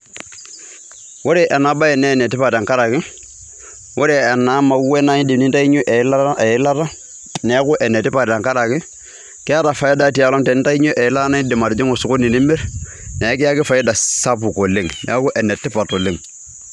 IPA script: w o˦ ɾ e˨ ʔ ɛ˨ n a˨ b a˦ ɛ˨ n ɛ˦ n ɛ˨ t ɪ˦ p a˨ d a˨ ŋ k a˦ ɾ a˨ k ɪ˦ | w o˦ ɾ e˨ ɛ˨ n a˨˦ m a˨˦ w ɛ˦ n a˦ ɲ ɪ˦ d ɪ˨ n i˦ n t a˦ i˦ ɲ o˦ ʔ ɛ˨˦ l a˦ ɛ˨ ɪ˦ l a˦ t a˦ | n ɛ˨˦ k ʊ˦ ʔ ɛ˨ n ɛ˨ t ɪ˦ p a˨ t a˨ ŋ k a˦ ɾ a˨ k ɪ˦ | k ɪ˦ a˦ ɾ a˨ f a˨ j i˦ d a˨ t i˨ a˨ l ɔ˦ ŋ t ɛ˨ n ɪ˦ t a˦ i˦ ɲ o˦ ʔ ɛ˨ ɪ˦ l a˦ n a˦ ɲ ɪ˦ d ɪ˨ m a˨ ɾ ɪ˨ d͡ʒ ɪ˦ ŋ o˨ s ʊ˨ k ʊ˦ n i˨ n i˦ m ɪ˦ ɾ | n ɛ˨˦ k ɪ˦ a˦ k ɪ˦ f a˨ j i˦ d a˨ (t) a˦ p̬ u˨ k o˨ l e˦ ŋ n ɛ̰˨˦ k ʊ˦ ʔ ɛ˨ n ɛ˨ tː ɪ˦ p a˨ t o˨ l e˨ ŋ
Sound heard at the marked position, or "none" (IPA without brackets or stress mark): s